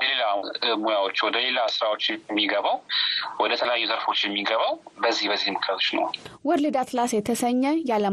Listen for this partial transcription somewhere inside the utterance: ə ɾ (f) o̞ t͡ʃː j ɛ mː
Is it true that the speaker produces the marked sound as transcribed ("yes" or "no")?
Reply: yes